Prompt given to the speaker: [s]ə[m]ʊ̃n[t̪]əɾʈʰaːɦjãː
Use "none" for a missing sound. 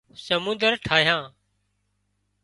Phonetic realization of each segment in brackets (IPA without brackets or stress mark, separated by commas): s, m, d̪